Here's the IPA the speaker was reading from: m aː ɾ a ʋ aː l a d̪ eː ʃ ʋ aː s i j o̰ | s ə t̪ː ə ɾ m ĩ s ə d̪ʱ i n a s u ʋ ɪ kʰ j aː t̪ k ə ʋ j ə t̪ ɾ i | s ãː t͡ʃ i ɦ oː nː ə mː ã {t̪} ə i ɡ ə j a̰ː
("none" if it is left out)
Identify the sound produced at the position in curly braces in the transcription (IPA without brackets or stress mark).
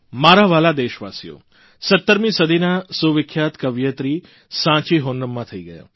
t̪ʰ